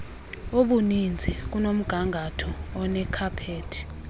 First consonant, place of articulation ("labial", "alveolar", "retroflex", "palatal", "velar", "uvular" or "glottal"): labial